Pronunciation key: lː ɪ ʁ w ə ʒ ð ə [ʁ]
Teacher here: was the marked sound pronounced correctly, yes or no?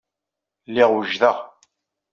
yes